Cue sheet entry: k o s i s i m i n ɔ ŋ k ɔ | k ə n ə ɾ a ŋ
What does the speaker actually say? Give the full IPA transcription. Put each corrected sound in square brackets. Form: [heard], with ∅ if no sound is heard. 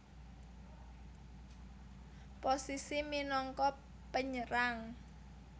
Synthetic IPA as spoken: [p] o s i s i m i n ɔ ŋ k ɔ | [p] ə [ɲ] ə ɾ a ŋ